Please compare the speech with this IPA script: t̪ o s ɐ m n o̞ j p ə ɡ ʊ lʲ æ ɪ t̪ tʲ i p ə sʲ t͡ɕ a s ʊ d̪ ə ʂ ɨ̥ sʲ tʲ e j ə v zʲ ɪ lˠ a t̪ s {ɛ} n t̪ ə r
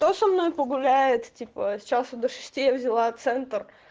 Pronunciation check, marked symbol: correct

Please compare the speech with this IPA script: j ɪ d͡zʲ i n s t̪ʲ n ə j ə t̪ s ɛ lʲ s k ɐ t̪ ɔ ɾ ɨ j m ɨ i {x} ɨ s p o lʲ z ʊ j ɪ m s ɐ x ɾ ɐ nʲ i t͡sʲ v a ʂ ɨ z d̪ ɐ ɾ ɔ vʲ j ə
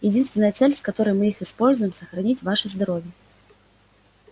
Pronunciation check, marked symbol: correct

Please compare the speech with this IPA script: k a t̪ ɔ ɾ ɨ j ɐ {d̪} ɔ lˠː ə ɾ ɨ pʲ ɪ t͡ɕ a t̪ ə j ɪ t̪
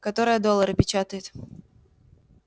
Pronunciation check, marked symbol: correct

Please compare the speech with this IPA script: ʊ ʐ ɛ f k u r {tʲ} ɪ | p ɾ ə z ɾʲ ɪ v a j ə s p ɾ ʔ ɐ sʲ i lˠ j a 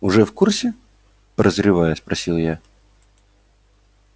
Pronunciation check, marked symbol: incorrect: sʲ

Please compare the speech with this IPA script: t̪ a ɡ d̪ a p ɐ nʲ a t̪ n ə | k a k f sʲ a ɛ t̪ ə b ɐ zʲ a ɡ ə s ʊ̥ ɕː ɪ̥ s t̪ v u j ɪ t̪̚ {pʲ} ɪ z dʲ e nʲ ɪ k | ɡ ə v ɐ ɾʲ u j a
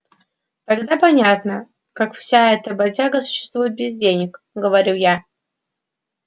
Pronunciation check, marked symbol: incorrect: bʲ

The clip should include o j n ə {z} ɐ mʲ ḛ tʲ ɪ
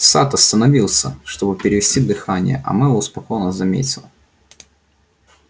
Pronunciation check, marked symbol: correct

